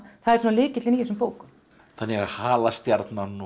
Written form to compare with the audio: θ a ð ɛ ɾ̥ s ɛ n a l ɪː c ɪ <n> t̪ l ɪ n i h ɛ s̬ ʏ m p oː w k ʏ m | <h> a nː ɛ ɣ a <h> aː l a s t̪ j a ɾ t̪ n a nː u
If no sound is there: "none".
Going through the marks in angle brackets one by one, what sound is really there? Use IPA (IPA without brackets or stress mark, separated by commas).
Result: none, θ, h